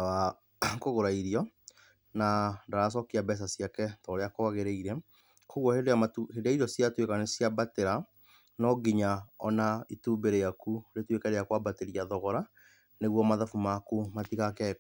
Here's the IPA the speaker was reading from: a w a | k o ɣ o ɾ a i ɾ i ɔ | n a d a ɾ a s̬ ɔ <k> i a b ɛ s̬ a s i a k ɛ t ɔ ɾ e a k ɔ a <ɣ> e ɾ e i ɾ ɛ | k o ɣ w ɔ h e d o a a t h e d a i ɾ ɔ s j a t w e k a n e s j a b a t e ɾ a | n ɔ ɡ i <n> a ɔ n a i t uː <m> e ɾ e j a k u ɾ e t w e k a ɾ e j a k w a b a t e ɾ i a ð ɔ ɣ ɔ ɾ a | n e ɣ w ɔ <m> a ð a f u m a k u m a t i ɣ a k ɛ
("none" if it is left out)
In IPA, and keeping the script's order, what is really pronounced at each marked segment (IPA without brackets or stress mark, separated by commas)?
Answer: k, ɣ, ɲ, b, m